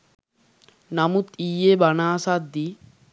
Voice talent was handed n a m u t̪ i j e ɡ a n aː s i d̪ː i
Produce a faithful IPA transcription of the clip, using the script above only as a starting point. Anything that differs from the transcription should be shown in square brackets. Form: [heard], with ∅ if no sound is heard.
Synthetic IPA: n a m u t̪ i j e [b] a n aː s [a] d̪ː i